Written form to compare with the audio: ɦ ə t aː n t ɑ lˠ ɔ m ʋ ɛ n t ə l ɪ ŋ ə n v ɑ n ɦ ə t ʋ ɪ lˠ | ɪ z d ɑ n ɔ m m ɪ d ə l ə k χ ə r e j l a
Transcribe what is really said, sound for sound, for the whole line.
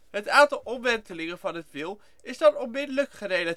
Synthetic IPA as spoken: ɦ ə t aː n t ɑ lˠ ɔ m ʋ ɛ n t ə l ɪ ŋ ə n v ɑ n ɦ ə t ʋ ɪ lˠ | ɪ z d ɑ n ɔ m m ɪ d ə l ə k χ ə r e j l a